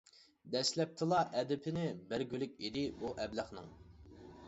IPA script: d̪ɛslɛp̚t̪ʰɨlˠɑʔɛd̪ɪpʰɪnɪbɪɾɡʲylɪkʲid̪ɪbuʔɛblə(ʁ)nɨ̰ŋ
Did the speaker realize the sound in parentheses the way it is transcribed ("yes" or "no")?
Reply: no